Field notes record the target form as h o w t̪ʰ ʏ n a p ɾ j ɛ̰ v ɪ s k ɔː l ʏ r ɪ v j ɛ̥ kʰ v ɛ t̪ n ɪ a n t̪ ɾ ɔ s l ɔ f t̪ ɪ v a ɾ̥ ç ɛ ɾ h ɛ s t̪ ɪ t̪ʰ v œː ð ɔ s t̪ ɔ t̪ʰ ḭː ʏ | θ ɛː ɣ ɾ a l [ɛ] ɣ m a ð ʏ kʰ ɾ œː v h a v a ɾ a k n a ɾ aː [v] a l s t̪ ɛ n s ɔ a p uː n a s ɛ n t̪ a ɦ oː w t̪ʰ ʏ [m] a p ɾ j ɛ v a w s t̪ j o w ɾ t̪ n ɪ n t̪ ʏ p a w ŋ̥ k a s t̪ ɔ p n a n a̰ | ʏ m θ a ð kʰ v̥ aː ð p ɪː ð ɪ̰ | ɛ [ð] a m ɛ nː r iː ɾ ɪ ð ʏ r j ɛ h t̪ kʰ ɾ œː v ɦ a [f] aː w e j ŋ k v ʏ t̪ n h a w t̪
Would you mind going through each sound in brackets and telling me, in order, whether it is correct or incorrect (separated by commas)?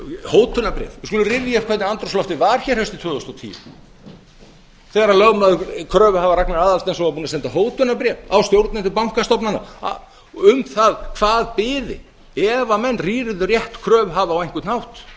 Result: incorrect, incorrect, incorrect, incorrect, incorrect